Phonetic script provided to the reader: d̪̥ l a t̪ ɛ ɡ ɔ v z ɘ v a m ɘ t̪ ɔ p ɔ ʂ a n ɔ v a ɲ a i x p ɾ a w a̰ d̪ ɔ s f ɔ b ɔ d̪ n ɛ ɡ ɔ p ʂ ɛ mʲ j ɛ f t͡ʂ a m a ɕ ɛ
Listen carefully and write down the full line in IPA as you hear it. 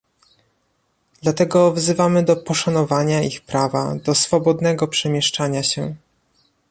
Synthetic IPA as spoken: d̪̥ l a t̪ ɛ ɡ ɔ v z ɘ v a m ɘ d̪ ɔ p ɔ ʂ a n ɔ v a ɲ a i x p ɾ a v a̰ d̪ ɔ s f ɔ b ɔ d̪ n ɛ ɡ ɔ p ʂ ɛ mʲ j ɛ ʂ t͡ʂ a ɲ a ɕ ɛ

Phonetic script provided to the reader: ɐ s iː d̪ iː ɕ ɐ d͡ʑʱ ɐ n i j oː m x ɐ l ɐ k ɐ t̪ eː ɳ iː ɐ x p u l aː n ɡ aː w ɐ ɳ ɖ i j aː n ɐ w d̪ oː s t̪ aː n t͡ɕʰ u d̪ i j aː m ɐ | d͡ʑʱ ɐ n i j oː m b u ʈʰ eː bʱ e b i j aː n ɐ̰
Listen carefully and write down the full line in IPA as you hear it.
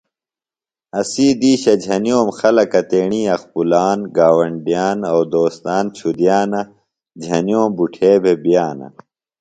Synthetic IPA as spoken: ɐ s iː d̪ iː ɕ ɐ d͡ʑʱ ɐ n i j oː m x ɐ l ɐ k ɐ t̪ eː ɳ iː ɐ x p u l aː n ɡ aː w ɐ ɳ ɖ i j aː n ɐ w d̪ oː s t̪ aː n t͡ɕʰ u d̪ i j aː n ɐ | d͡ʑʱ ɐ n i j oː m b u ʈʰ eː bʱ e b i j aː n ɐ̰

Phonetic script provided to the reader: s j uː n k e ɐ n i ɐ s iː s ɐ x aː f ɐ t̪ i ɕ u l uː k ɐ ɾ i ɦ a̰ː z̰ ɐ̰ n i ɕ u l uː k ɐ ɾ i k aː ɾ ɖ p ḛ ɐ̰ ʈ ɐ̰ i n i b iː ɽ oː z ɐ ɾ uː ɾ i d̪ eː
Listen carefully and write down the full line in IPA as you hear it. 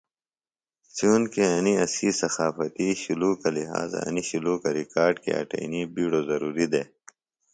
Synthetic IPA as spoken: s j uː n k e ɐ n i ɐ s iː s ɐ x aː f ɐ t̪ i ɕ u l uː k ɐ l i ɦ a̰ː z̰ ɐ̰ n i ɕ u l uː k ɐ ɾ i k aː ɾ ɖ k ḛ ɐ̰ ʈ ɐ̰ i n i b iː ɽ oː z ɐ ɾ uː ɾ i d̪ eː

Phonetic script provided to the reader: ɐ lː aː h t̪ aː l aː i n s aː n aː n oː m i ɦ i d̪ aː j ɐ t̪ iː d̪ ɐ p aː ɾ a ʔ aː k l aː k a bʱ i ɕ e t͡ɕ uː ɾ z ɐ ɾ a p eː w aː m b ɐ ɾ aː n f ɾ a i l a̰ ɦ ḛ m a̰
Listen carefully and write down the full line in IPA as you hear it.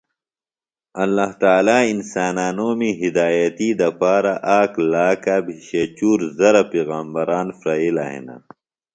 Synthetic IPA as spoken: ɐ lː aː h t̪ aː l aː i n s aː n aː n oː m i ɦ i d̪ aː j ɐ t̪ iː d̪ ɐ p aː ɾ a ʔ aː k l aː k a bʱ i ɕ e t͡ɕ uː ɾ z ɐ ɾ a p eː ɣ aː m b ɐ ɾ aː n f ɾ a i l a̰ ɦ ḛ n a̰

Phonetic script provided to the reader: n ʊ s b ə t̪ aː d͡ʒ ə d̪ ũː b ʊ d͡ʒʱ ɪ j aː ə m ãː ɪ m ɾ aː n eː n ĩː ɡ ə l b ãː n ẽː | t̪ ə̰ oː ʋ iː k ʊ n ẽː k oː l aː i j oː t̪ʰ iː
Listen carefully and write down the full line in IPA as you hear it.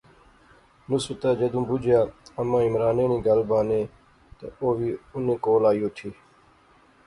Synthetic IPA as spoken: n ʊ s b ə t̪ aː d͡ʒ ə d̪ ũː b ʊ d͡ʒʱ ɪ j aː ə m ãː ɪ m ɾ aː n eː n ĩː ɡ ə l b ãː n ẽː | t̪ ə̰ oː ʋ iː ʊ n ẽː k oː l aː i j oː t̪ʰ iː

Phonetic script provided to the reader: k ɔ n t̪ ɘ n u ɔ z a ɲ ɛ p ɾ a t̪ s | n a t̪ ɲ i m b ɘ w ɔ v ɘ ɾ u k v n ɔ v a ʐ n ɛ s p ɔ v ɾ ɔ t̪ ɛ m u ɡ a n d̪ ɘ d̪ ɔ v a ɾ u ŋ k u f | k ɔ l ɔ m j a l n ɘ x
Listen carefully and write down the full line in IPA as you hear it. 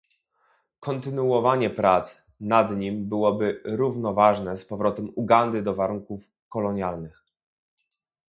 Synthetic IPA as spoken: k ɔ n t̪ ɘ n u ɔ v a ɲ ɛ p ɾ a t̪ s | n a d̪ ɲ i m b ɘ w ɔ b ɘ ɾ u v n ɔ v a ʐ n ɛ s p ɔ v ɾ ɔ t̪ ɛ m u ɡ a n d̪ ɘ d̪ ɔ v a ɾ u ŋ k u f | k ɔ l ɔ ɲ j a l n ɘ x

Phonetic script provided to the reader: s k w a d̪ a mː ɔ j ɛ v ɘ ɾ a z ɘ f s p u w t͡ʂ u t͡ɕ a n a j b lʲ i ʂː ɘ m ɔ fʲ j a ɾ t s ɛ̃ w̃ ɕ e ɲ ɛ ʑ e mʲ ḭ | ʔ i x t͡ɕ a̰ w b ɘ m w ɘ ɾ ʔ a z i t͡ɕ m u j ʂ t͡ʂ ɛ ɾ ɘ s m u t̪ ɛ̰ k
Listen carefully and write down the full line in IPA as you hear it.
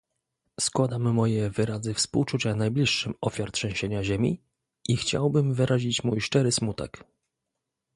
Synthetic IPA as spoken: s k w a d̪ a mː ɔ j ɛ v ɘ ɾ a z ɘ f s p u w t͡ʂ u t͡ɕ a n a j b lʲ i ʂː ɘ m ɔ fʲ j a ɾ t ʂ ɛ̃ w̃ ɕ e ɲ a ʑ e mʲ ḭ | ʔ i x t͡ɕ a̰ w b ɘ m v ɘ ɾ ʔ a ʑ i t͡ɕ m u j ʂ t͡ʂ ɛ ɾ ɘ s m u t̪ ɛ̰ k

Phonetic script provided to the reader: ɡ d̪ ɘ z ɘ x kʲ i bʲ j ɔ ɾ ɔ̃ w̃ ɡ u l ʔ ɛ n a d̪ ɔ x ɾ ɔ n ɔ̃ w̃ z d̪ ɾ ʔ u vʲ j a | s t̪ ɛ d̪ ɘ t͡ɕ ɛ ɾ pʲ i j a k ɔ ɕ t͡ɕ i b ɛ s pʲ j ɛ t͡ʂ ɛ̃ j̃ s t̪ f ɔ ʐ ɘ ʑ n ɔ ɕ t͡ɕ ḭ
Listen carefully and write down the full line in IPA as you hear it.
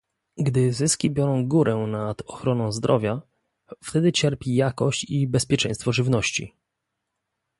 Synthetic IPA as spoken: ɡ d̪ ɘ z ɘ s kʲ i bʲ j ɔ ɾ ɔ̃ w̃ ɡ u ɾ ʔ ɛ n a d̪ ɔ x ɾ ɔ n ɔ̃ w̃ z d̪ ɾ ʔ ɔ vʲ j a | f t̪ ɛ d̪ ɘ t͡ɕ ɛ ɾ pʲ i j a k ɔ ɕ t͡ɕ i b ɛ s pʲ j ɛ t͡ʂ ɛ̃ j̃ s t̪ f ɔ ʐ ɘ v n ɔ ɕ t͡ɕ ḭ

